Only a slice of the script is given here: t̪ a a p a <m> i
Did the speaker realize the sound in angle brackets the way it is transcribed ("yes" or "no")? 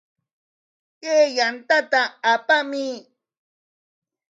yes